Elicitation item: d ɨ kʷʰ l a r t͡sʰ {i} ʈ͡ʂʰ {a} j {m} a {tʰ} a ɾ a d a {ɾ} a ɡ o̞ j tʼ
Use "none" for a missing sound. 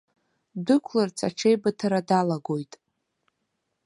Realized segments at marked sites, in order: a, e, b, tʰ, l

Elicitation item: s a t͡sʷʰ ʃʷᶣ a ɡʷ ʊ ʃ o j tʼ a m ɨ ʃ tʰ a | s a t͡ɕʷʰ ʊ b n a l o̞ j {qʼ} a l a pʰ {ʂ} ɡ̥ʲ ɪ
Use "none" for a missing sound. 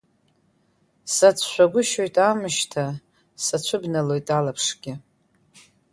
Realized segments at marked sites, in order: tʼ, ʂ

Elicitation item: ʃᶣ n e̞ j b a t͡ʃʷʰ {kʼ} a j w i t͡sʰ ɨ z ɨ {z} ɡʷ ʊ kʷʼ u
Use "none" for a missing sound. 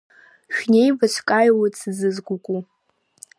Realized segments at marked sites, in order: kʼ, z

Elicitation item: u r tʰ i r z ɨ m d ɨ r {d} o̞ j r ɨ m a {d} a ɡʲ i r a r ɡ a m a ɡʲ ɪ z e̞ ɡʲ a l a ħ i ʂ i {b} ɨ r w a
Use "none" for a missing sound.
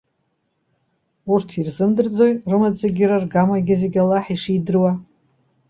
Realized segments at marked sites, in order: d͡z, d͡z, d

